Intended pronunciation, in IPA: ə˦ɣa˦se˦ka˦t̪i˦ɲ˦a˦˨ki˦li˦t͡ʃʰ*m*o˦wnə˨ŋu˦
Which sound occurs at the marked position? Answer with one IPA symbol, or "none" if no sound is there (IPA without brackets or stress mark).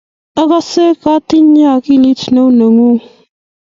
n